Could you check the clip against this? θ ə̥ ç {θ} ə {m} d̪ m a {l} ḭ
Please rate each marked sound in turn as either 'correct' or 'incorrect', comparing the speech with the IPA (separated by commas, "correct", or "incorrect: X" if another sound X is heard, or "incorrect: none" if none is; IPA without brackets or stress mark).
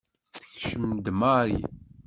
incorrect: ʃ, correct, incorrect: ɾ